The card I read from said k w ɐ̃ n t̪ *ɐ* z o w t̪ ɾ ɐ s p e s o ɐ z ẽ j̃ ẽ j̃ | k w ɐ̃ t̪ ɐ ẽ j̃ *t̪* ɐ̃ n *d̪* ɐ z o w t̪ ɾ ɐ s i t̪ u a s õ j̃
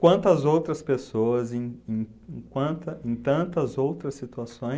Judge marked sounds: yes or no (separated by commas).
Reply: yes, yes, no